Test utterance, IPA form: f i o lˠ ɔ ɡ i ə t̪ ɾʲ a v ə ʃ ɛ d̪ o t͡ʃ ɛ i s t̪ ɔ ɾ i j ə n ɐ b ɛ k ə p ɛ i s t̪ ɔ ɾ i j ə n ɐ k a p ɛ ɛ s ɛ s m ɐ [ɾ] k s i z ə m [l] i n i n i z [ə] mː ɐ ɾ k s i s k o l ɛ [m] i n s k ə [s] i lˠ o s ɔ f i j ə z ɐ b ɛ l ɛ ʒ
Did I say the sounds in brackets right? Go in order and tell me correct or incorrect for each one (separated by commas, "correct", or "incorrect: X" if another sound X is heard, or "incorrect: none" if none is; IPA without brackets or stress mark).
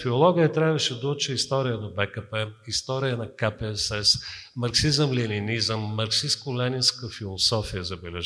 correct, correct, correct, incorrect: n, incorrect: f